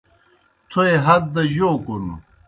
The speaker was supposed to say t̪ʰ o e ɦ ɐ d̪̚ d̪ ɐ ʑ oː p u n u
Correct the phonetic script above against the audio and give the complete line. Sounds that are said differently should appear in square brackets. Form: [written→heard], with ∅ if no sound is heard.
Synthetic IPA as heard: t̪ʰ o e ɦ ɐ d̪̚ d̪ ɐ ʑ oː [p→k] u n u